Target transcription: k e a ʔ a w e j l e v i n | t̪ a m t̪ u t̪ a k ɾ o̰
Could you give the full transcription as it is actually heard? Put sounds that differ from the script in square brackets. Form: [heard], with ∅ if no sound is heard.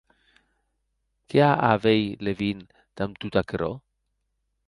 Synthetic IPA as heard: k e a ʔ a [v] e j l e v i n | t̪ a m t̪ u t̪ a k ɾ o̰

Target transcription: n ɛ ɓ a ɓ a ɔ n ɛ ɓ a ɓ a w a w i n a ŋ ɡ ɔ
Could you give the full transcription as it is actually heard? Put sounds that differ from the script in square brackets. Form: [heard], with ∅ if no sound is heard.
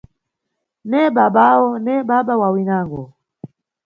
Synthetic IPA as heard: n ɛ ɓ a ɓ a ɔ n ɛ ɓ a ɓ a w a w i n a ŋ ɡ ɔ

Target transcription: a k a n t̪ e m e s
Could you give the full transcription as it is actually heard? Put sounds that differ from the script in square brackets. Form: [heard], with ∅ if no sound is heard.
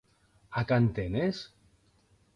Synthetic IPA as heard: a k a n t̪ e [n] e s

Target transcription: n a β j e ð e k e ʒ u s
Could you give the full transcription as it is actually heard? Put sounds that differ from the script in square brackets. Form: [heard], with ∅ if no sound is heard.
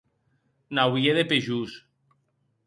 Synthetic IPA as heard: n a [w] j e ð e [p] e ʒ u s

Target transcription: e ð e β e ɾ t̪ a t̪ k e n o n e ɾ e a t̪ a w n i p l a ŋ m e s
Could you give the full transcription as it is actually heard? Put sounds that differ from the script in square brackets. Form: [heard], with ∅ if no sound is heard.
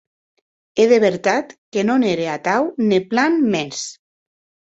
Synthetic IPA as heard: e ð e β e ɾ t̪ a t̪ k e n o n e ɾ e a t̪ a w n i p l a [n] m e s

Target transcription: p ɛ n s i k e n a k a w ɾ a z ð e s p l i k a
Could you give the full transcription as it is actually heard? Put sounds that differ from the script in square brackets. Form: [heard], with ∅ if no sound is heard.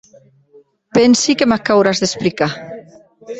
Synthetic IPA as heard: p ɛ n s i k e [m] a k a w ɾ a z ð e s p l i k a

